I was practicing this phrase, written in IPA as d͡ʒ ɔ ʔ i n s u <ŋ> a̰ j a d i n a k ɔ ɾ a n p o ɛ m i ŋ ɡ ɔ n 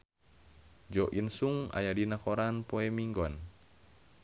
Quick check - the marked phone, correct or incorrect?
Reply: correct